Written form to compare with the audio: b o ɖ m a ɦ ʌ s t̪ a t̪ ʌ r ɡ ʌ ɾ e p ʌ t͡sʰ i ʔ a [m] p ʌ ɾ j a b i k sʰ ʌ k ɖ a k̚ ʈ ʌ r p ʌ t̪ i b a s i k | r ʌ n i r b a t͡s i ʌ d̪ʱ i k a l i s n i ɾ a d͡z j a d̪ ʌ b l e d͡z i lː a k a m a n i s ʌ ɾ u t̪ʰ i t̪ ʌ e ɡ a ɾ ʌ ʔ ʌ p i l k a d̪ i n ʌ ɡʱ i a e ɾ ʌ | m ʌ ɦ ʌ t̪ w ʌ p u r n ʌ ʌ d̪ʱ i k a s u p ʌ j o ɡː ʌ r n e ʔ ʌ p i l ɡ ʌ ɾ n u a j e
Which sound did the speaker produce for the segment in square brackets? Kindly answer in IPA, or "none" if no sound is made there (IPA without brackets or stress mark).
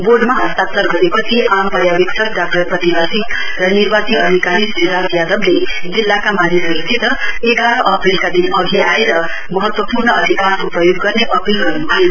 m